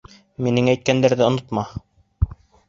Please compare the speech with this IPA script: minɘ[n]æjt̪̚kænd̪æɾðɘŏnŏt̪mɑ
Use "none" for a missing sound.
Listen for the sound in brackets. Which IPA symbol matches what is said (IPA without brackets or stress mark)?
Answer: ŋ